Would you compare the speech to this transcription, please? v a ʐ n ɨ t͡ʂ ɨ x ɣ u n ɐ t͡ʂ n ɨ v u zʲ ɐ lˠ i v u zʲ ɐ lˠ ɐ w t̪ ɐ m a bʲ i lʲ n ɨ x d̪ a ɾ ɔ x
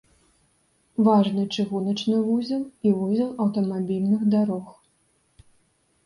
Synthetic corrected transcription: v a ʐ n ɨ t͡ʂ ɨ ɣ u n ɐ t͡ʂ n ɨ v u zʲ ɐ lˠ i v u zʲ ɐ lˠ ɐ w t̪ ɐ m a bʲ i lʲ n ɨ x d̪ a ɾ ɔ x